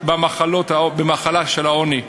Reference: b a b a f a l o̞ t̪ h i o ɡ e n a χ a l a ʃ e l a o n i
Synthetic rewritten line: b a m a χ a l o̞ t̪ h a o b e m a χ a l a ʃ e l a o n i